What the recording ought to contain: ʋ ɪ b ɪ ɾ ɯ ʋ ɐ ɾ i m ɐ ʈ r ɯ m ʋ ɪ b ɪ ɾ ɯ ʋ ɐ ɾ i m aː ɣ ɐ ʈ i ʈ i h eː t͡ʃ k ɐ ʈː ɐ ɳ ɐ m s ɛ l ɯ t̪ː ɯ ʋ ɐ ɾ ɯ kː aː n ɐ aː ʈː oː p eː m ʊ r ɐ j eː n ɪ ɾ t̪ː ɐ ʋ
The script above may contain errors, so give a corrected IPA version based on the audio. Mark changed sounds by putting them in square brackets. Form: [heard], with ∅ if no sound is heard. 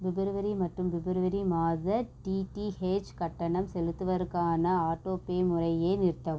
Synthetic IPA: ʋ ɪ b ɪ ɾ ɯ ʋ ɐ ɾ i m ɐ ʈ r ɯ m ʋ ɪ b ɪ ɾ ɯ ʋ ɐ ɾ i m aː [ð] ɐ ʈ i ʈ i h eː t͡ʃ k ɐ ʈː ɐ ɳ ɐ m s ɛ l ɯ t̪ː ɯ ʋ ɐ ɾ ɯ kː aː n ɐ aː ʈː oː p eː m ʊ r ɐ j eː n ɪ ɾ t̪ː ɐ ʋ